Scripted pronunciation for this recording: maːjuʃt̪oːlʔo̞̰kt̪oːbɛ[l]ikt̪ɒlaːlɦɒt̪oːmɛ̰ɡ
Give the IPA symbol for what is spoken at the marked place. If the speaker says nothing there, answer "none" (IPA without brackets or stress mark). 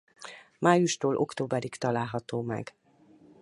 ɾ